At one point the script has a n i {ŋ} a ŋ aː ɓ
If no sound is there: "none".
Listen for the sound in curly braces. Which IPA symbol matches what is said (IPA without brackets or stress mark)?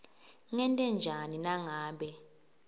n